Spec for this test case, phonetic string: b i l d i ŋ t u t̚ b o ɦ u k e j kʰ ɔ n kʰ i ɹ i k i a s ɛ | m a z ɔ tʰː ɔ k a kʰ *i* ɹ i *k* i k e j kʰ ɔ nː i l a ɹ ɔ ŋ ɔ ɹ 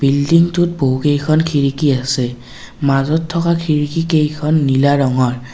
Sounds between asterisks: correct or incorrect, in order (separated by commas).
correct, correct